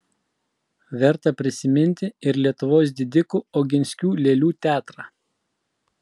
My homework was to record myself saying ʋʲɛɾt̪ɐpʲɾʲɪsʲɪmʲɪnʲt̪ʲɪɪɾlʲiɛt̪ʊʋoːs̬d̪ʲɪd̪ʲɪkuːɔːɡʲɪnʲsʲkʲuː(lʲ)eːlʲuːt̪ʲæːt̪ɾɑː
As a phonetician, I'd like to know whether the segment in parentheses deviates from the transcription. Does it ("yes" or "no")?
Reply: no